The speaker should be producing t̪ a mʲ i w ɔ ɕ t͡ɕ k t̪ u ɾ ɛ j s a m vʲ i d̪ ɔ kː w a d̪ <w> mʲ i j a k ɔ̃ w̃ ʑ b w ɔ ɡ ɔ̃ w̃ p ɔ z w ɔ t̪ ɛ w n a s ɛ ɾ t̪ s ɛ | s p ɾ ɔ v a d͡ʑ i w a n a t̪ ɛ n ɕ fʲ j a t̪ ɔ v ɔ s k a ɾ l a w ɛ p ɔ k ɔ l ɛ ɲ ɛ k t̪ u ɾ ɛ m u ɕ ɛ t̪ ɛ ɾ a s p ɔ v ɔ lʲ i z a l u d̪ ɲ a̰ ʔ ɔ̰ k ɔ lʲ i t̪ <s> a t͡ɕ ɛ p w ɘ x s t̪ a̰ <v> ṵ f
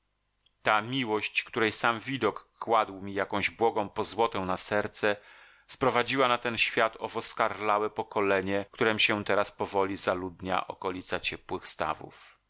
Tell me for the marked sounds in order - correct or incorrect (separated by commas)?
correct, correct, correct